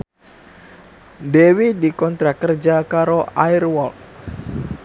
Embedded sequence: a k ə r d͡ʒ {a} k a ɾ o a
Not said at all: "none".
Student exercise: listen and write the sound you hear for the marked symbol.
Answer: a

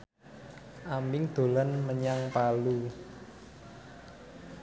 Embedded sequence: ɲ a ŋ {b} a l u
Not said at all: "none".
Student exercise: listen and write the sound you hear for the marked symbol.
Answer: p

